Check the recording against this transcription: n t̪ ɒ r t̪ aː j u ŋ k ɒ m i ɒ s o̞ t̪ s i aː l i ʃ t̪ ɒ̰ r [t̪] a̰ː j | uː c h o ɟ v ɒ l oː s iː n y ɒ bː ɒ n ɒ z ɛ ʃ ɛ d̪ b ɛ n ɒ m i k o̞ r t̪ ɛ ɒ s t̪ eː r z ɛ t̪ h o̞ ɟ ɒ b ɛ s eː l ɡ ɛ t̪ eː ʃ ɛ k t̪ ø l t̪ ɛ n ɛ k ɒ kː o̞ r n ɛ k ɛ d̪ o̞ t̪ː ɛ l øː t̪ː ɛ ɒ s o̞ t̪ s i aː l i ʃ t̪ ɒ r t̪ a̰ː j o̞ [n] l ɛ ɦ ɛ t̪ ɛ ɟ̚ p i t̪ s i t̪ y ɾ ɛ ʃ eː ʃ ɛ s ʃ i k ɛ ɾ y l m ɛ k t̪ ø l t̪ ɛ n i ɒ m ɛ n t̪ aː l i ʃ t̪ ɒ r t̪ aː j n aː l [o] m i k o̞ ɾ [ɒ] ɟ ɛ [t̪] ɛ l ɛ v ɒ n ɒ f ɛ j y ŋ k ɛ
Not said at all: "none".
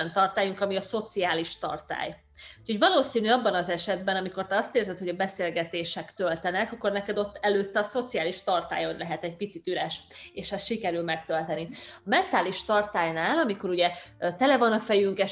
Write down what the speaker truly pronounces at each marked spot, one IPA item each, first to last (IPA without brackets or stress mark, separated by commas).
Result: t̪, n, ɒ, u, t̪